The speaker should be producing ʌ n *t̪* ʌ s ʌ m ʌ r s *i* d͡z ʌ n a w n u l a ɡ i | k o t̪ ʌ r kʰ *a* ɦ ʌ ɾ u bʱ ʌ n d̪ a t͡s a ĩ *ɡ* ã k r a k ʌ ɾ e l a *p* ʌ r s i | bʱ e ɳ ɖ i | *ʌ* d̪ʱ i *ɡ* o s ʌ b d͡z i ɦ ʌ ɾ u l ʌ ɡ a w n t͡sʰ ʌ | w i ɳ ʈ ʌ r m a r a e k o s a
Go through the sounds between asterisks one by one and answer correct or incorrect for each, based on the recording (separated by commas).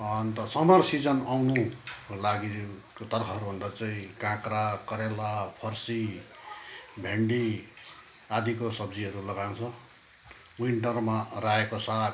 correct, correct, incorrect, incorrect, incorrect, incorrect, incorrect